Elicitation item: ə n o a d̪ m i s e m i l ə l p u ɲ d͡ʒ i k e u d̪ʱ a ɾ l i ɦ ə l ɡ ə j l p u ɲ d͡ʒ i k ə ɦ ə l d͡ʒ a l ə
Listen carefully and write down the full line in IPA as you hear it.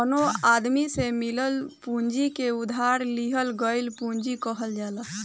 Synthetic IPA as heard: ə n o a d̪ m i s e m i l ə l p u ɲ d͡ʒ i k e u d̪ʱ a ɾ l i ɦ ə l ɡ ə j l p u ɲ d͡ʒ i k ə ɦ ə l d͡ʒ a l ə